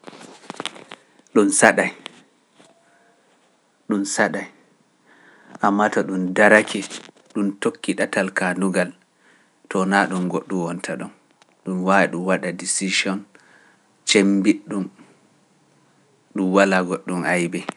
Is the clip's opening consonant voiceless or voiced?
voiced